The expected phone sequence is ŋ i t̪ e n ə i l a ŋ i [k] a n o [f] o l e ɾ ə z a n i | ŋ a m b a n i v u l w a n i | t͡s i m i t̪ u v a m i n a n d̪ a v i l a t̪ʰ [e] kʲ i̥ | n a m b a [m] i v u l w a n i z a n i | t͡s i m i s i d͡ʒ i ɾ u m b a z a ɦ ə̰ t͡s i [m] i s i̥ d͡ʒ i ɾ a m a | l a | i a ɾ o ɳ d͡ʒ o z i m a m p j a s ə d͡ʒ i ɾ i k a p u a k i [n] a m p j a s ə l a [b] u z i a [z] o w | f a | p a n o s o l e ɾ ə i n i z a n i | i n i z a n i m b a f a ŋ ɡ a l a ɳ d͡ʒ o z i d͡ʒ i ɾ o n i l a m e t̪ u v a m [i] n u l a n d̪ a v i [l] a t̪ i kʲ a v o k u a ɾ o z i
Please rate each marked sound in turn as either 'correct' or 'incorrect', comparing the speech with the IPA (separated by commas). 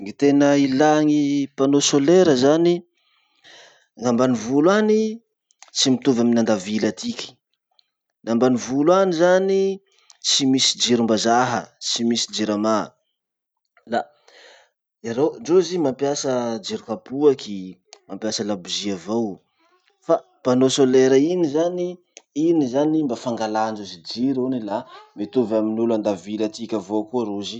incorrect, incorrect, incorrect, incorrect, correct, incorrect, correct, incorrect, correct, correct